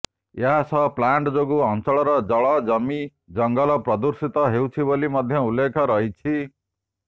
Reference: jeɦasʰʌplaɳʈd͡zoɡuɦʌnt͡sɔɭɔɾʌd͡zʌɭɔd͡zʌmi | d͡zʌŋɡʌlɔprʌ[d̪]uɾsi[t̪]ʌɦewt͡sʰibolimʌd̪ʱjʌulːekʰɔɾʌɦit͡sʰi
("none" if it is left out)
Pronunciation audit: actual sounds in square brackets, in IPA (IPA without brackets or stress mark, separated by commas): d̪, t̪